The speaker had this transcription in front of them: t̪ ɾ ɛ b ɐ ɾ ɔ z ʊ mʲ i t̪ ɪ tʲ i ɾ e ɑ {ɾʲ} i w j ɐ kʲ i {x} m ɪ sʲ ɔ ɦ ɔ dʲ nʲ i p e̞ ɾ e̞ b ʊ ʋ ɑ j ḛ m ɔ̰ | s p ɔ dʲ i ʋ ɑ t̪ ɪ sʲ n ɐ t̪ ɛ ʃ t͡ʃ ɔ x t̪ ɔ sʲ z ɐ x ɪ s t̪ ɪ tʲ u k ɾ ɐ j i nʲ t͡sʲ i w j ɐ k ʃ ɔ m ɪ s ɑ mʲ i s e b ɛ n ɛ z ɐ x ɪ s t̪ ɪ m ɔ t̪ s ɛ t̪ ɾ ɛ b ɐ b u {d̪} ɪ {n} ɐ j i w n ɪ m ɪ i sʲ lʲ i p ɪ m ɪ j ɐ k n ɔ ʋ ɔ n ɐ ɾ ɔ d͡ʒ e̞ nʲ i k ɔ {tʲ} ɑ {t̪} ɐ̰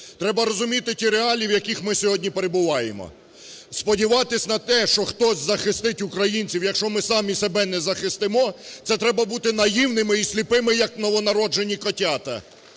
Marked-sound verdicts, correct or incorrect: incorrect, correct, incorrect, correct, correct, correct

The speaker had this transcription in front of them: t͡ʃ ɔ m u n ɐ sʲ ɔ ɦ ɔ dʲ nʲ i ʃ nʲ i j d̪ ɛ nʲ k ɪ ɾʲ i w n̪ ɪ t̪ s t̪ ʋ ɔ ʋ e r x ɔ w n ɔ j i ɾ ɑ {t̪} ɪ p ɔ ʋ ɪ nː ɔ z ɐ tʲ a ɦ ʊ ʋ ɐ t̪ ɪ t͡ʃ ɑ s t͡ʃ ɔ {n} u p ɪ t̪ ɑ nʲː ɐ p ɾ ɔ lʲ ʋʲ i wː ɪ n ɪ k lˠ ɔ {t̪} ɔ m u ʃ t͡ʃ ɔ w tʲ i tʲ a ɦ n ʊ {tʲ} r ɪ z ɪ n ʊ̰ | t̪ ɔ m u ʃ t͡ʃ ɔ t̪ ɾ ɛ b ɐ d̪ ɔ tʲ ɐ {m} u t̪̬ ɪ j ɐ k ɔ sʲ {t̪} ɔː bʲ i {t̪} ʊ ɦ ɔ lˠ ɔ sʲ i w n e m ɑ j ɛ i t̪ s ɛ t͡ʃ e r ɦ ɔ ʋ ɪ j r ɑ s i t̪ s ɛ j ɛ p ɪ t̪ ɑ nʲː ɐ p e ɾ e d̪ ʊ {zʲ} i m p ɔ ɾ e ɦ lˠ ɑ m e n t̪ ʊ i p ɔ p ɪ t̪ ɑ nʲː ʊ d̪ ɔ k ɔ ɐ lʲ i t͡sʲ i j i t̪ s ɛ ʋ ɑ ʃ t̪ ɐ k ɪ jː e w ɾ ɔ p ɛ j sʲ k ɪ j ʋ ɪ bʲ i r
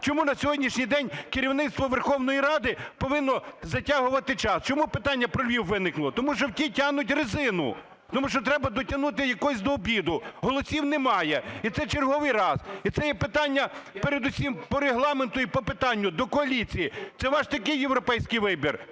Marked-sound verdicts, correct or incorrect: incorrect, incorrect, correct, correct, incorrect, incorrect, incorrect, incorrect

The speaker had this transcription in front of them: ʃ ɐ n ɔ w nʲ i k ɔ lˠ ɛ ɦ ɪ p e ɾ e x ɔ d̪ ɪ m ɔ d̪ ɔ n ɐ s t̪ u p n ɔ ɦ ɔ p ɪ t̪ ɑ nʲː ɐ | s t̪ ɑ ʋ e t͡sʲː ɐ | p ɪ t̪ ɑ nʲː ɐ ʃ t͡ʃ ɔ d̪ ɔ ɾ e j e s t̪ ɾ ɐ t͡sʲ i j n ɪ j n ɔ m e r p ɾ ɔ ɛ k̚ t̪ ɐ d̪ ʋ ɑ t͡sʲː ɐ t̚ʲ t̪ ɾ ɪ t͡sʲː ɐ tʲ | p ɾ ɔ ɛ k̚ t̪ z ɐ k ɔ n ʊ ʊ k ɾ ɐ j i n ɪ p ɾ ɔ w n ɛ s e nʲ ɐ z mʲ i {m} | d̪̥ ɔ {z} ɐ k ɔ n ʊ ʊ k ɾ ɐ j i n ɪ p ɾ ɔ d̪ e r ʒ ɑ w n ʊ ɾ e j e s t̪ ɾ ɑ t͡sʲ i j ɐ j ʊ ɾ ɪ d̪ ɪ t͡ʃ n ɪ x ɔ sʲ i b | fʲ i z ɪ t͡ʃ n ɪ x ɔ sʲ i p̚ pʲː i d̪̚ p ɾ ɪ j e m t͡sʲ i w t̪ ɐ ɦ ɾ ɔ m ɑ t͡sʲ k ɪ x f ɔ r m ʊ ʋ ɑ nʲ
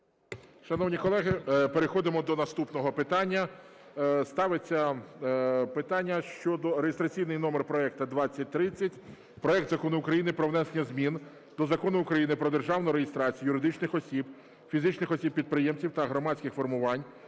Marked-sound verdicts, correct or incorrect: incorrect, correct

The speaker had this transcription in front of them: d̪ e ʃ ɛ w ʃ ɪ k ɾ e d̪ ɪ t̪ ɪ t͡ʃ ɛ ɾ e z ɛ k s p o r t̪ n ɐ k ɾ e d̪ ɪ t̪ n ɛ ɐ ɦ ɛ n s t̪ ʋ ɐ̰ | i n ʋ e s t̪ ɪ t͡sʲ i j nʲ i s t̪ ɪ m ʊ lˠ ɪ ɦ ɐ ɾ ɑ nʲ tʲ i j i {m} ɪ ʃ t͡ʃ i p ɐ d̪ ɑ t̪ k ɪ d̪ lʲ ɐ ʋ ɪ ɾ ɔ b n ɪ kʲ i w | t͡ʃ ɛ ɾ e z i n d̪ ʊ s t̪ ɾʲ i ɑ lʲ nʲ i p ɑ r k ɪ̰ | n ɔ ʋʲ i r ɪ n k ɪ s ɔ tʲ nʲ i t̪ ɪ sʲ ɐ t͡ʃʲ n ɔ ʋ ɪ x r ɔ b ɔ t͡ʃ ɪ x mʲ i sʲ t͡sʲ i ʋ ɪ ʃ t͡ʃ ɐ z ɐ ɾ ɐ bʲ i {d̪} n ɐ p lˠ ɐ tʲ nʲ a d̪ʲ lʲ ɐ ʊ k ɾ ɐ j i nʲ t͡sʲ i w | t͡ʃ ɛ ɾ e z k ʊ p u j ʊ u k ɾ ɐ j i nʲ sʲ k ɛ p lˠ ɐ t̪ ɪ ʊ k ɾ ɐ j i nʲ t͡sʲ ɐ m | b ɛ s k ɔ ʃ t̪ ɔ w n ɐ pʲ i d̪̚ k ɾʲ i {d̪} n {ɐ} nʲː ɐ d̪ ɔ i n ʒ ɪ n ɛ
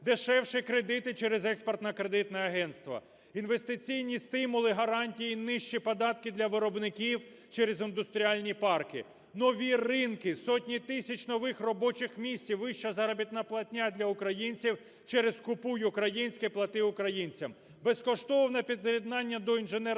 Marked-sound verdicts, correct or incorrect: incorrect, incorrect, correct, incorrect

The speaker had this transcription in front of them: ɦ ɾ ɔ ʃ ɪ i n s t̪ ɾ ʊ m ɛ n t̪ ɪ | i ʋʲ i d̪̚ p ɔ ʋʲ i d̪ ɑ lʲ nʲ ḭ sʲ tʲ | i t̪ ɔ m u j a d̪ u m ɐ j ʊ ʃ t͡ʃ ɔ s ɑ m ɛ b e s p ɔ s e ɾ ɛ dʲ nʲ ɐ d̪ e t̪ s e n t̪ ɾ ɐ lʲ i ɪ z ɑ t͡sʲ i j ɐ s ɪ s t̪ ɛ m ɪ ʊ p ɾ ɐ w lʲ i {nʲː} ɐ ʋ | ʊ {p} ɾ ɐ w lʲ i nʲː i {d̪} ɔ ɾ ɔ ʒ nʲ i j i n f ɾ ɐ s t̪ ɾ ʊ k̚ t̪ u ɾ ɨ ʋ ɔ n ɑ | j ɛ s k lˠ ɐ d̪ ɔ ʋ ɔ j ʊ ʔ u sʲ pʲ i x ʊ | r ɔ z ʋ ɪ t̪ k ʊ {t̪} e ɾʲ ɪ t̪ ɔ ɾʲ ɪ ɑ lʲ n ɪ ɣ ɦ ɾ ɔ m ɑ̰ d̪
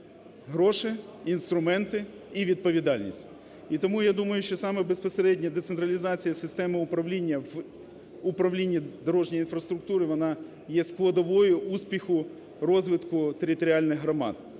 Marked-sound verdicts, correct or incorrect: correct, correct, correct, correct

